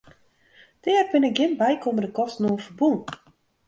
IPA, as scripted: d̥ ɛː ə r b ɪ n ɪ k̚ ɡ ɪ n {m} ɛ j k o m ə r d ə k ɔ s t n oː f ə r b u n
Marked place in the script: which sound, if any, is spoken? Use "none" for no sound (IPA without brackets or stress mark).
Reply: b